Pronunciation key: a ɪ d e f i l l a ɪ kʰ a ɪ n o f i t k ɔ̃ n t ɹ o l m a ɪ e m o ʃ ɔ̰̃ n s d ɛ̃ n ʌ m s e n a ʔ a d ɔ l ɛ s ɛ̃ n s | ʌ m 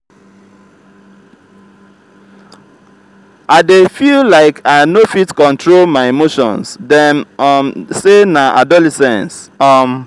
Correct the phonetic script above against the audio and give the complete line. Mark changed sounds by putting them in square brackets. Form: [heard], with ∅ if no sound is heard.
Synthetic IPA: a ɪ d e f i l l a ɪ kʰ a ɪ n o f i t k ɔ̃ n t ɹ o l m a ɪ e m o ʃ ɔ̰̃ n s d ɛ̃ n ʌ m s e n a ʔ a d ɔ l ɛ s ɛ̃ n s | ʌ m